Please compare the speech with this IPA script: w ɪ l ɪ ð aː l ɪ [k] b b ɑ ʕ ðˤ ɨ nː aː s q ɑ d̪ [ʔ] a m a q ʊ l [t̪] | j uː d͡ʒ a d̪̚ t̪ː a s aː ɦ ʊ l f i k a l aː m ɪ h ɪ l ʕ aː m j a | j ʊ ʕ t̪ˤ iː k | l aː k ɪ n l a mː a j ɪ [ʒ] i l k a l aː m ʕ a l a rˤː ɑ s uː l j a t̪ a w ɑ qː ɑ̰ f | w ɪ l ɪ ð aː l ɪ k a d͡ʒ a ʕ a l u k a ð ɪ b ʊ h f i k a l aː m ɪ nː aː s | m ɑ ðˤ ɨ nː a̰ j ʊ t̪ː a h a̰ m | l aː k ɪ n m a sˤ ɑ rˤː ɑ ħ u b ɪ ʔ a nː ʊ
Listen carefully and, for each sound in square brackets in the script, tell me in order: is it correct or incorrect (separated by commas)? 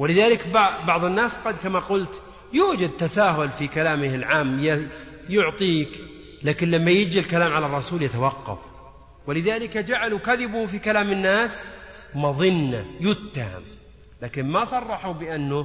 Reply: correct, incorrect, correct, incorrect